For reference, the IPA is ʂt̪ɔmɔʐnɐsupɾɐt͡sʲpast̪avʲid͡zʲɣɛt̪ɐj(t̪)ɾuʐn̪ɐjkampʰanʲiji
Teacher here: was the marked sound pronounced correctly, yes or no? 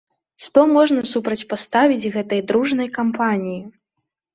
no